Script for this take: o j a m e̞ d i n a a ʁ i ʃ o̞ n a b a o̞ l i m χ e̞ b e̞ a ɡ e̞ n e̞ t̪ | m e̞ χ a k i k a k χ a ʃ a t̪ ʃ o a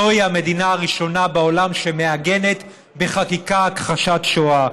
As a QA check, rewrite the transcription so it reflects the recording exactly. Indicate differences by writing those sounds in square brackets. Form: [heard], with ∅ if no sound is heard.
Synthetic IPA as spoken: o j a m e̞ d i n a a ʁ i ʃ o̞ n a b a o̞ l [a] m [ʃ] e̞ [m] e̞ a ɡ e̞ n e̞ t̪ | [b] e̞ χ a k i k a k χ a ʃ a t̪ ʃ o a